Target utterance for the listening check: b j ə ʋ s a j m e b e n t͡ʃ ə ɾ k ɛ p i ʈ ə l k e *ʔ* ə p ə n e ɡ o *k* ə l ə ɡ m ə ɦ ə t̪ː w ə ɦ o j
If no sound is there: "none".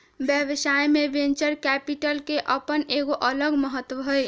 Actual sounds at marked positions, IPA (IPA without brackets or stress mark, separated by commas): ʔ, ʔ